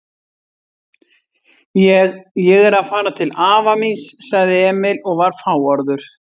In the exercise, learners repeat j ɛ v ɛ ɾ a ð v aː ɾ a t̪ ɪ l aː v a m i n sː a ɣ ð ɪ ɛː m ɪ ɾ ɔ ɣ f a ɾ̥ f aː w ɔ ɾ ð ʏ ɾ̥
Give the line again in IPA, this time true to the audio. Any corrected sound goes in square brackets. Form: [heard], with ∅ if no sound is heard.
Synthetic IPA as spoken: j ɛ [ɣ] ɛ ɾ a ð [f] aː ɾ a [t̪ʰ] ɪ l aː v a m i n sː a ɣ ð ɪ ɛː m ɪ [l] ɔ ɣ [v] a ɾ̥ f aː w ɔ ɾ ð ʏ ɾ̥

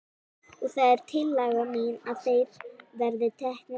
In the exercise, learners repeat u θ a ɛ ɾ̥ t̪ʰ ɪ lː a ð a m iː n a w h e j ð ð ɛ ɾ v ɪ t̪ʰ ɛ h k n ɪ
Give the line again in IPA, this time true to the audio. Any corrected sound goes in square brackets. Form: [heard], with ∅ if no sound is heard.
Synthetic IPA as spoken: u θ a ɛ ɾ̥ t̪ʰ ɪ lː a [ɣ] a m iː n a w [θ] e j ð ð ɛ ɾ [ð] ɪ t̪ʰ ɛ h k n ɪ

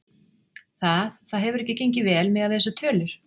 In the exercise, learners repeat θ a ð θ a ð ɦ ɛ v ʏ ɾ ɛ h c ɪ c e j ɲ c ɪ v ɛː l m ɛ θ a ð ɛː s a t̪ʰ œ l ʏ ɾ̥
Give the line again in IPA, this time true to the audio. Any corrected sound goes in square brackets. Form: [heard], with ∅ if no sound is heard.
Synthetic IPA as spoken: θ a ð θ a ð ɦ ɛ v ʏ ɾ ɛ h c ɪ c e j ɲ c ɪ v ɛː l m ɛ [ð] a ð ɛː s a t̪ʰ [œː] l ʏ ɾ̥

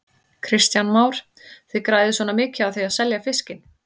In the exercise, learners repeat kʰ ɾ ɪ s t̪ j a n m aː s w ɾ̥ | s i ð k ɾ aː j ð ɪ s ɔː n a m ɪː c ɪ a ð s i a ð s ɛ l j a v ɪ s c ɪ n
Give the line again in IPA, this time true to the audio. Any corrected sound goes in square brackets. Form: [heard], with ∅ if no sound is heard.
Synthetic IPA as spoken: kʰ ɾ ɪ s t̪ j a n m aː [∅] w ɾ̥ | [θ] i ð k ɾ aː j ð ɪ s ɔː n a m ɪː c ɪ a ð [θ] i a ð s ɛ l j a [f] ɪ s c ɪ n

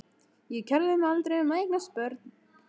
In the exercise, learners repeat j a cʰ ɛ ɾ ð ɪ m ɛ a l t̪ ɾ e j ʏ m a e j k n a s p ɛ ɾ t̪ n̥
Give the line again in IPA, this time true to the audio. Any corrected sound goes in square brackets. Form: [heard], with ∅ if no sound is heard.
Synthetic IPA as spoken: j [ɛ] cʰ ɛ ɾ ð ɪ m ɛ a l t̪ ɾ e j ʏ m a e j k n a s p [œ] ɾ t̪ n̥

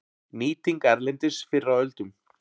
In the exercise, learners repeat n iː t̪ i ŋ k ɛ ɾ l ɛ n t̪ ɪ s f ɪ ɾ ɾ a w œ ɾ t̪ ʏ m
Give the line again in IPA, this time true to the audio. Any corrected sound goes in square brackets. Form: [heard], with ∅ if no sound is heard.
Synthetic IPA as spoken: n iː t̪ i ŋ k ɛ ɾ l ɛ n t̪ ɪ s f ɪ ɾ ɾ a w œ [l] t̪ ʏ m

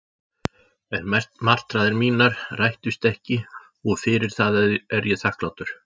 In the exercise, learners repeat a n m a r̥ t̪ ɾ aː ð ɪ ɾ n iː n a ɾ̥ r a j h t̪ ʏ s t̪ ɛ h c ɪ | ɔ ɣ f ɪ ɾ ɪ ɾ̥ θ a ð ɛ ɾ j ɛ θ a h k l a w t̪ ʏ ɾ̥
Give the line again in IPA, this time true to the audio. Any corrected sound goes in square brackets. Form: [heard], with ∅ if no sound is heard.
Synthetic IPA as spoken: [ɛ] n m a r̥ t̪ ɾ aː ð ɪ ɾ [m] iː n a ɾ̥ r a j h t̪ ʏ s t̪ ɛ h c ɪ | ɔ ɣ f ɪ ɾ ɪ ɾ̥ θ a ð ɛ ɾ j ɛ θ a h k l a w t̪ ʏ ɾ̥

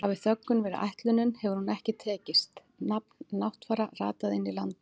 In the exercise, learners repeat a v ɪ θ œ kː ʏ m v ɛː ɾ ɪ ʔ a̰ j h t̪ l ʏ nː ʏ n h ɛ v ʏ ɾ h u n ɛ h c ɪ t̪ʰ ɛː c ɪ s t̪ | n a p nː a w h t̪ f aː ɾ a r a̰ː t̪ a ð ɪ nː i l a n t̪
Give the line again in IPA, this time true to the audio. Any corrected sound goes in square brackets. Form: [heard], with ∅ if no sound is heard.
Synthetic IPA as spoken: a v ɪ θ œ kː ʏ [n] v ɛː ɾ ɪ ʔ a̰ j h t̪ l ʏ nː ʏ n h ɛ v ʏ ɾ h u n ɛ h c ɪ t̪ʰ ɛː c ɪ s t̪ | n a p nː a w h t̪ f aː ɾ a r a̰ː t̪ a ð ɪ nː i l a n t̪

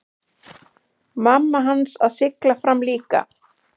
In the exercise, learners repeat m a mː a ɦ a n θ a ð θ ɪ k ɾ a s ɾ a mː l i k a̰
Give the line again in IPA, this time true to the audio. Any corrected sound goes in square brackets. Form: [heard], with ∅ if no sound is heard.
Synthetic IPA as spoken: m a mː a ɦ a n [s] a ð [s] ɪ k [l] a [f] ɾ a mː l [iː] k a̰

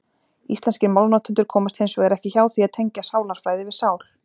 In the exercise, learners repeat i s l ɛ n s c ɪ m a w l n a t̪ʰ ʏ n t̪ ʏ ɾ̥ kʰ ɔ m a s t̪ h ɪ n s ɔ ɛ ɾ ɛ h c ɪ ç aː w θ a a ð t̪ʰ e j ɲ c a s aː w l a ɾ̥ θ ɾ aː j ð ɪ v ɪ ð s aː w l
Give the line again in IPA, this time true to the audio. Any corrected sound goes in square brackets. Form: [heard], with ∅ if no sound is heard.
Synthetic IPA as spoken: i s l ɛ n s c ɪ m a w l n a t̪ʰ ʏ n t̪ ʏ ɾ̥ kʰ [ɔː] m a s t̪ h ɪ n s ɔ ɛ ɾ ɛ h c ɪ ç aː w θ [i] a ð t̪ʰ e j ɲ c a s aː w l a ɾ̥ [f] ɾ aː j ð ɪ v ɪ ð s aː w l

